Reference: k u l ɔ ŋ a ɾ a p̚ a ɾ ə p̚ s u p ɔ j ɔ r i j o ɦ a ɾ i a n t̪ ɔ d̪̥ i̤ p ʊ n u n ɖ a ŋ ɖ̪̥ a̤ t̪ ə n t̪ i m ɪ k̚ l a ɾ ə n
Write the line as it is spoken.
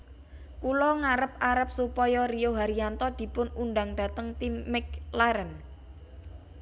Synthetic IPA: k u l ɔ ŋ a ɾ ə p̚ a ɾ ə p̚ s u p ɔ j ɔ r i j o ɦ a ɾ i a n t̪ ɔ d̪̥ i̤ p ʊ n u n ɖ a ŋ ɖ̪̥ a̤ t̪ ə ŋ t̪ i m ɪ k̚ l a ɾ ə n